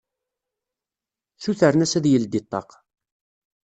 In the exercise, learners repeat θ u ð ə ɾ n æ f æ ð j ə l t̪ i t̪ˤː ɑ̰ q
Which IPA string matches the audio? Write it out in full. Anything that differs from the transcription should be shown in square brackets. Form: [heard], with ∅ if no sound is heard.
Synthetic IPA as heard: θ u [θ] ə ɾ n æ [s] æ ð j ə l [d̪] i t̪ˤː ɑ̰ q